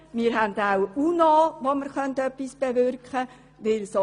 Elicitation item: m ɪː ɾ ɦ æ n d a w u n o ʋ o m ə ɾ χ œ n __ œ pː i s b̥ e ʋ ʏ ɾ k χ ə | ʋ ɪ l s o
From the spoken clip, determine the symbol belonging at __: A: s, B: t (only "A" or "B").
B